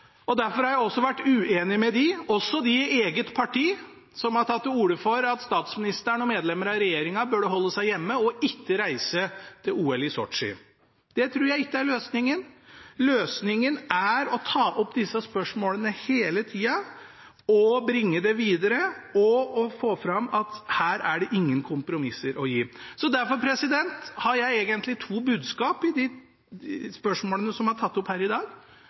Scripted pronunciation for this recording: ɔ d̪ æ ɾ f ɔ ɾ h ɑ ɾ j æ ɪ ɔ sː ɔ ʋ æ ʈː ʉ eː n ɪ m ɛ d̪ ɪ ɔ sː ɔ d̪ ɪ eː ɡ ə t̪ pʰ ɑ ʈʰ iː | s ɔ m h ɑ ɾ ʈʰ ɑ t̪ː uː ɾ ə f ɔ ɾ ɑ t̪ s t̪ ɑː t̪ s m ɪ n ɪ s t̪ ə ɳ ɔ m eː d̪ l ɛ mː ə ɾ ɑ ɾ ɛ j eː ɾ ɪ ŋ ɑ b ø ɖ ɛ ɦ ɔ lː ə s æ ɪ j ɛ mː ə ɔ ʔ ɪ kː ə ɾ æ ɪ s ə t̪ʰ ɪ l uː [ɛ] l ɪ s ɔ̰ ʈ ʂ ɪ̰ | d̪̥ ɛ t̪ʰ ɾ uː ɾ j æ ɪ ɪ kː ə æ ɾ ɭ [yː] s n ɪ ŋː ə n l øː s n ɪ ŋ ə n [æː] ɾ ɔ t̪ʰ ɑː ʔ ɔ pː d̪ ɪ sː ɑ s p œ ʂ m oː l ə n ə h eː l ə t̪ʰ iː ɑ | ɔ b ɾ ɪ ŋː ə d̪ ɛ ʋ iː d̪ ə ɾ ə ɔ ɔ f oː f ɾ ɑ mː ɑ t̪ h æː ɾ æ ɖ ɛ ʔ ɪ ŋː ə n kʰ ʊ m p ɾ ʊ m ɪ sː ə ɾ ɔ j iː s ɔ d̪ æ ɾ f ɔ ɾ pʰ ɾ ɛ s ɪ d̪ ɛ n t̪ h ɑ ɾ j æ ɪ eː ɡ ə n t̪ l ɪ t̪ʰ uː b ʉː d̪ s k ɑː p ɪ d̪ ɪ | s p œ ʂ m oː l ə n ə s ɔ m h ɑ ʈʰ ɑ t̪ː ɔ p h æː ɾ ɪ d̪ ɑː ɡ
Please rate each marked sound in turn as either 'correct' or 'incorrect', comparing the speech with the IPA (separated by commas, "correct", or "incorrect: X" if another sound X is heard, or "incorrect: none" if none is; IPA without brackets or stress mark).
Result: correct, incorrect: øː, incorrect: æ